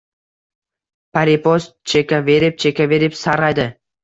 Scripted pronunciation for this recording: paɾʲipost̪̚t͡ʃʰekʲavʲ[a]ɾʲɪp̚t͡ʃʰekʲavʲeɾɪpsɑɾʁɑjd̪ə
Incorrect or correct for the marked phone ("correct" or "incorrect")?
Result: incorrect